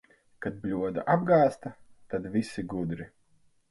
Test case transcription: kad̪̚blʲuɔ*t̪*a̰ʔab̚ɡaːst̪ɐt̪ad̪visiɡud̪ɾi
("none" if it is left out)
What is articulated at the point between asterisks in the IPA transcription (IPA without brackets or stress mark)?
d̪